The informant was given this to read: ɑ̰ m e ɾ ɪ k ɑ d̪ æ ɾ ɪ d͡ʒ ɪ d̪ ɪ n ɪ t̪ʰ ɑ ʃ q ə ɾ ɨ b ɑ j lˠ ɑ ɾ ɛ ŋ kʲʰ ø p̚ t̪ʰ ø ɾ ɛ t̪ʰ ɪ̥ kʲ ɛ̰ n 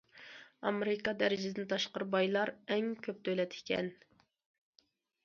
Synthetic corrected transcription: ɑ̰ m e ɾ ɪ k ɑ d̪ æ ɾ ɪ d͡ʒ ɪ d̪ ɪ n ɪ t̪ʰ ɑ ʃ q ə ɾ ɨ b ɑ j lˠ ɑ ɾ ɛ ŋ kʲʰ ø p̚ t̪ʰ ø l ɛ t̪ʰ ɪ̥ kʲ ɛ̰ n

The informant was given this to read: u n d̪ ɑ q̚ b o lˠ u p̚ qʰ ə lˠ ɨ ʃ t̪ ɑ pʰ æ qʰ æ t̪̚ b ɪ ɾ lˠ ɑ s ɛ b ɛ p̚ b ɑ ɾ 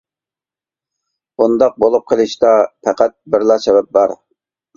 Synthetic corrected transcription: u n d̪ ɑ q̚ b o lˠ u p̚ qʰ ə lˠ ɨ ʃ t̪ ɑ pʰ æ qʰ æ t̪̚ b ɪ ɾ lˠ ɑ s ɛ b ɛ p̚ b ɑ ɾ

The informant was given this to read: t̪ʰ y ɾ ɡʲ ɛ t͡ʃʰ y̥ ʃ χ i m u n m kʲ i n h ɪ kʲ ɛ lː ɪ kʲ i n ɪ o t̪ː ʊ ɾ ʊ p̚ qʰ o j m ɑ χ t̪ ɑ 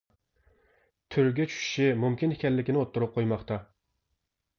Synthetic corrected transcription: t̪ʰ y ɾ ɡʲ ɛ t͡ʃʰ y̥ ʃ ʃ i m u m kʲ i n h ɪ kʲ ɛ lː ɪ kʲ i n ɪ o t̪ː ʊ ɾ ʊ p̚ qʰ o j m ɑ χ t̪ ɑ

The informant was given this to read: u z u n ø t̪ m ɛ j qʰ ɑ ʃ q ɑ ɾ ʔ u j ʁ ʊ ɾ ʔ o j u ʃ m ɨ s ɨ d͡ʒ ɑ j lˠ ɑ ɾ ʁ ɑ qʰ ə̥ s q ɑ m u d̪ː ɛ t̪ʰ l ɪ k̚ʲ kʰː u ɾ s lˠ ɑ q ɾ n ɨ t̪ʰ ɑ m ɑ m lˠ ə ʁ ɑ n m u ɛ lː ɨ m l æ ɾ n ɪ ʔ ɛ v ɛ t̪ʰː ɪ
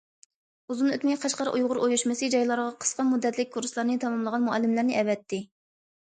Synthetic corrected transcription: u z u n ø t̪ m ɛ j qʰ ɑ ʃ q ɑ ɾ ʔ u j ʁ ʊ ɾ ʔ o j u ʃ m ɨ s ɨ d͡ʒ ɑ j lˠ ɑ ɾ ʁ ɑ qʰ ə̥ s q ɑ m u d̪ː ɛ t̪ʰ l ɪ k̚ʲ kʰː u ɾ s lˠ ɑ ɾ n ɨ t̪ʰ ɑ m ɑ m lˠ ə ʁ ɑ n m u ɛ lː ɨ m l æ ɾ n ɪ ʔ ɛ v ɛ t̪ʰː ɪ

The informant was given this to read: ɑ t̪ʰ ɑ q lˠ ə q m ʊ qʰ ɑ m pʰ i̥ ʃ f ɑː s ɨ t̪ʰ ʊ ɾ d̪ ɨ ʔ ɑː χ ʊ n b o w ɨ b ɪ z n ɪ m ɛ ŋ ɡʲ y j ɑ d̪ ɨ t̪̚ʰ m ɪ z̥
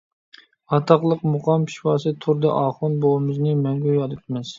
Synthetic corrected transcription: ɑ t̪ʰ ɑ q lˠ ə q m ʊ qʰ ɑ m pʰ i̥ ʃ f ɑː s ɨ t̪ʰ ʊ ɾ d̪ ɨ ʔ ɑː χ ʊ n b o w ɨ m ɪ z n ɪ m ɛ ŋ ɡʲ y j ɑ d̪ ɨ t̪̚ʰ m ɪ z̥

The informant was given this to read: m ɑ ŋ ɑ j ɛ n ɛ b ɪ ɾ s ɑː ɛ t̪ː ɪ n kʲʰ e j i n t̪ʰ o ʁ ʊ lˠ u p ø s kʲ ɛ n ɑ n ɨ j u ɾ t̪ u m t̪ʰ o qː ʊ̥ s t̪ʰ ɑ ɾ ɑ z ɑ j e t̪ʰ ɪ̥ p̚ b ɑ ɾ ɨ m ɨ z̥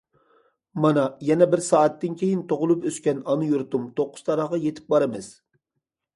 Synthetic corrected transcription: m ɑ n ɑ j ɛ n ɛ b ɪ ɾ s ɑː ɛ t̪ː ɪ n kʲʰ e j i n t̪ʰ o ʁ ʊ lˠ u p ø s kʲ ɛ n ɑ n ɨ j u ɾ t̪ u m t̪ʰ o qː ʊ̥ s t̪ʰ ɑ ɾ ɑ ʁ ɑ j e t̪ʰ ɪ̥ p̚ b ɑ ɾ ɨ m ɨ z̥

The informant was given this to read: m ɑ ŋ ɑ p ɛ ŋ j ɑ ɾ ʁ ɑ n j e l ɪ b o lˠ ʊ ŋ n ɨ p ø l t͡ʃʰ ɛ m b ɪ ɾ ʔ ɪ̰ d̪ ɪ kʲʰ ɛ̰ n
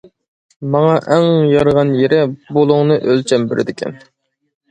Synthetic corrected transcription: m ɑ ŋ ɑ ʔ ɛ ŋ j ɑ ɾ ʁ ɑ n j e ɾ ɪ b o lˠ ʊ ŋ n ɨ ʔ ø l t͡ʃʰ ɛ m b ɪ ɾ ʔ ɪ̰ d̪ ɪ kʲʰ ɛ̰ n

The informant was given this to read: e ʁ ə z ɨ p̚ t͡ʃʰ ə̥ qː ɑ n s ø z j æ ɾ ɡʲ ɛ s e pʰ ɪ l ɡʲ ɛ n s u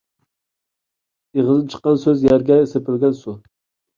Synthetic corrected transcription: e ʁ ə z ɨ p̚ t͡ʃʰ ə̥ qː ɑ n s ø z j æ ɾ ɡʲ ɛ s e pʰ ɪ l ɡʲ ɛ n s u

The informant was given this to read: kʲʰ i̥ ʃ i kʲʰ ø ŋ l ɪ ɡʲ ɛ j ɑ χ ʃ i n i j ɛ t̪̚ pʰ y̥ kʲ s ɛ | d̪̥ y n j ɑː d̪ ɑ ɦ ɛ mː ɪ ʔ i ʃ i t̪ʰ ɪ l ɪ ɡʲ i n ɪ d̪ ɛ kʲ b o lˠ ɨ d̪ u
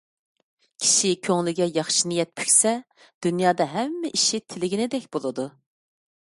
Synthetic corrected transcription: kʲʰ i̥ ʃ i kʲʰ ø ŋ l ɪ ɡʲ ɛ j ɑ χ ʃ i n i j ɛ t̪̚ pʰ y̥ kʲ s ɛ | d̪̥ y n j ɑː d̪ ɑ ɦ ɛ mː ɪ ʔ i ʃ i t̪ʰ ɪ l ɪ ɡʲ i n ɪ d̪ ɛ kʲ b o lˠ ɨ d̪ u

